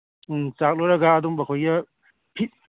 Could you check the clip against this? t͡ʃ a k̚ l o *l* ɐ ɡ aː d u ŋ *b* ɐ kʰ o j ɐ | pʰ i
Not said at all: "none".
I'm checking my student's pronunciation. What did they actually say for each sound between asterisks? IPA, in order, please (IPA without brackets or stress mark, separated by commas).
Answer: ɾ, b